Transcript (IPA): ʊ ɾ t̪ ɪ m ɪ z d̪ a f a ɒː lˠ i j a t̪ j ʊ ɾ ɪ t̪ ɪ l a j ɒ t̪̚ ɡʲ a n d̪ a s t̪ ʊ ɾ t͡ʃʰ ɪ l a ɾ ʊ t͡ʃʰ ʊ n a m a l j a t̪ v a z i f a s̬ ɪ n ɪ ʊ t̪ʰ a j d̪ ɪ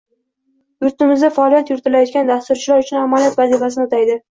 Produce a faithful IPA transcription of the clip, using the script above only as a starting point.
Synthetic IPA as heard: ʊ ɾ t̪ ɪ m ɪ z d̪ a f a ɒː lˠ i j a t̪ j ʊ ɾ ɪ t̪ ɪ l a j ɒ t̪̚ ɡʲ a n d̪ a s t̪ ʊ ɾ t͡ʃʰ ɪ l a ɾ ʊ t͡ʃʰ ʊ n a m a l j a t̪ v a z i f a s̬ ɪ n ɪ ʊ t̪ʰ a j d̪ ɪ